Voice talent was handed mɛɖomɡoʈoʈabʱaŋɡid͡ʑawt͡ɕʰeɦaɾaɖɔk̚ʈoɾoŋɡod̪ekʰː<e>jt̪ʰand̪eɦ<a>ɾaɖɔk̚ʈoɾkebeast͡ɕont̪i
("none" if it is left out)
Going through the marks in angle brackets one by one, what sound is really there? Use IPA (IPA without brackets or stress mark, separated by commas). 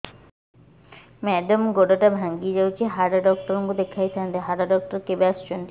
a, a